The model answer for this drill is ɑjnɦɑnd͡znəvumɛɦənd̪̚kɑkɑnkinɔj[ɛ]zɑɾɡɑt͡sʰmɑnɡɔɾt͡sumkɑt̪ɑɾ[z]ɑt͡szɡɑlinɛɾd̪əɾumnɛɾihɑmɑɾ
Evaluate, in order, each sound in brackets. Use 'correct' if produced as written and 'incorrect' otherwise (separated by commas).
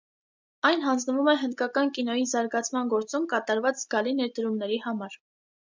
incorrect, incorrect